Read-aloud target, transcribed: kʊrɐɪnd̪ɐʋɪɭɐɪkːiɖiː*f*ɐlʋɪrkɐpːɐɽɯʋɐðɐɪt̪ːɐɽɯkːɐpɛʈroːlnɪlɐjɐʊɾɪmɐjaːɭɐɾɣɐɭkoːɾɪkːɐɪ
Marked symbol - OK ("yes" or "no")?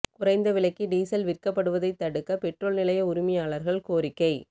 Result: no